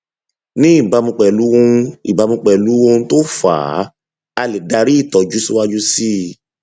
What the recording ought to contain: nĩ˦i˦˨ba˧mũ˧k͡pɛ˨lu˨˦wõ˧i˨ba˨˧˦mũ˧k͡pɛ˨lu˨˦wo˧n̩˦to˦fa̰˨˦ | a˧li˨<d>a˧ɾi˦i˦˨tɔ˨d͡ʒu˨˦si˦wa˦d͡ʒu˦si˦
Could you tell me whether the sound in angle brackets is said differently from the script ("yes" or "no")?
no